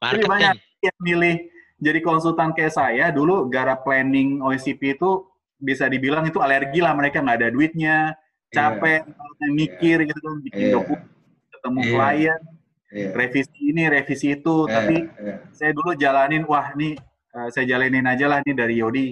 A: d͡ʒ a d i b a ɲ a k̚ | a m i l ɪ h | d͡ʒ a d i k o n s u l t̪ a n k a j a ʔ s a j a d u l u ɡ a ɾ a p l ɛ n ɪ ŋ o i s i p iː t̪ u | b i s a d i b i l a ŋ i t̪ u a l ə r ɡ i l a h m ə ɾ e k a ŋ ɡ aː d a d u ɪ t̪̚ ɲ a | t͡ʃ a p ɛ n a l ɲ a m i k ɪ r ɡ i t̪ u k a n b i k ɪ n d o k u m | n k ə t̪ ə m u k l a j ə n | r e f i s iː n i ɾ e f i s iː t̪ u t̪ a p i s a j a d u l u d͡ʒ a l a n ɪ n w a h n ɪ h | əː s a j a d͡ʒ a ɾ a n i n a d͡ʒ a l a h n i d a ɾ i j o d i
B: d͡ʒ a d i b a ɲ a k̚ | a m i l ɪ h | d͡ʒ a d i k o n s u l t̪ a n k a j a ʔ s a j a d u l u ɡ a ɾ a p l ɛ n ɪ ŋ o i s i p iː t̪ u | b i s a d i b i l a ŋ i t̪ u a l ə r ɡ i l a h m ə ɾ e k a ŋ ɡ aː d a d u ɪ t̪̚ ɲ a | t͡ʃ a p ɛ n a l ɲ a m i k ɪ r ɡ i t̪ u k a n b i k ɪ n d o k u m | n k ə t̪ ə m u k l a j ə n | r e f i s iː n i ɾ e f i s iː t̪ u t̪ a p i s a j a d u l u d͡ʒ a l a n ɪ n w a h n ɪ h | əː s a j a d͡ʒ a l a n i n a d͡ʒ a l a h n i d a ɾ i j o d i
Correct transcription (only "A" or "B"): B